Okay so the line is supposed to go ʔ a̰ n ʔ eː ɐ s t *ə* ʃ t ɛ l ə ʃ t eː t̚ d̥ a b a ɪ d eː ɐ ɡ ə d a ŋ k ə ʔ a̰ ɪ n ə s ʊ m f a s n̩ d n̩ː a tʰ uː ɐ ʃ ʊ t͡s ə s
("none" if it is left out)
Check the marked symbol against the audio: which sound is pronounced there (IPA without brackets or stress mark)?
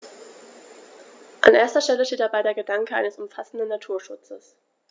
ɐ